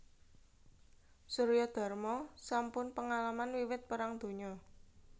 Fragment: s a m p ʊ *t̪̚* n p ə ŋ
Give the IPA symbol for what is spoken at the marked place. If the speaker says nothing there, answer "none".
none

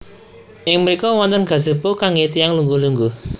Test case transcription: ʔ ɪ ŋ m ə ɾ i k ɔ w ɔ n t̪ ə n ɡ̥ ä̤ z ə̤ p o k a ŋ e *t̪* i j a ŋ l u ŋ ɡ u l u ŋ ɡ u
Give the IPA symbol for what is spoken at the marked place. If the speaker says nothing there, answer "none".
t̪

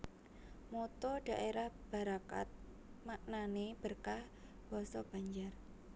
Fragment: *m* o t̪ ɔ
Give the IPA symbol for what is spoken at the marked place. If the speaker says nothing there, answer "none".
m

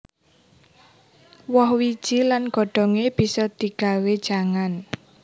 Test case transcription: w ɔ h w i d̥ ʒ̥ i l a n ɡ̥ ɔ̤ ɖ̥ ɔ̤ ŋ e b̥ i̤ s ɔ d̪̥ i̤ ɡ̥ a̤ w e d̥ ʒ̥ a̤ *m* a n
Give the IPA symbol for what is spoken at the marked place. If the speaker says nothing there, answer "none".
ŋ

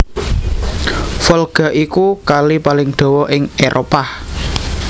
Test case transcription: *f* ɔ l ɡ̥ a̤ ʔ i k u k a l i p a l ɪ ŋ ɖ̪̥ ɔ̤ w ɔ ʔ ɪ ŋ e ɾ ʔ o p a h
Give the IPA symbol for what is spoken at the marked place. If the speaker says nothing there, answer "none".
f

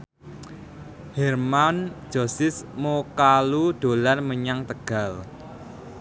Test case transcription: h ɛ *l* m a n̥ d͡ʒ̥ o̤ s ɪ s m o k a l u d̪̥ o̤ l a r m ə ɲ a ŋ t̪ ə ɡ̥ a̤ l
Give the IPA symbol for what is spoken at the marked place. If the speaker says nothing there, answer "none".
r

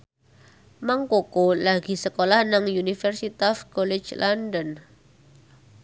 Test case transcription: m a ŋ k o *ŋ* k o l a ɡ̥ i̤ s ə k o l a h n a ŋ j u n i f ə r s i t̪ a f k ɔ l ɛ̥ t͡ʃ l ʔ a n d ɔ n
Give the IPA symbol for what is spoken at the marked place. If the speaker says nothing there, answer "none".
none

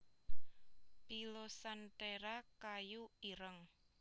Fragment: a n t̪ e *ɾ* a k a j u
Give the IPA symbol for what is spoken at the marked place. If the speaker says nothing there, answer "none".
ɾ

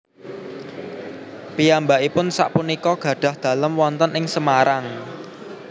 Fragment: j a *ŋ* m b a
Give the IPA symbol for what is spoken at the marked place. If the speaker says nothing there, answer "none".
none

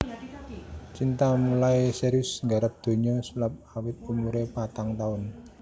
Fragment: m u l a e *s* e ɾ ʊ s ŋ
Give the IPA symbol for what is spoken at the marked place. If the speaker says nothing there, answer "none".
s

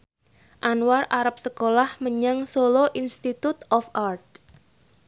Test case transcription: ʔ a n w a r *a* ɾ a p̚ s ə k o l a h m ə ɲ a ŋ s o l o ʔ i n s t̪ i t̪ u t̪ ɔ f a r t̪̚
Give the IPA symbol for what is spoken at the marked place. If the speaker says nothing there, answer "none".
a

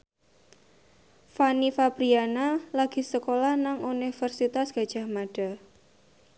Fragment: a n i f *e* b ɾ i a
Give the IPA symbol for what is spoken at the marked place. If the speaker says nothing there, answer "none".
a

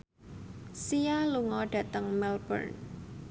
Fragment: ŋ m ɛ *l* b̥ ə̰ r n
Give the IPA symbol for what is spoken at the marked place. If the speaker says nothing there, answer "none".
l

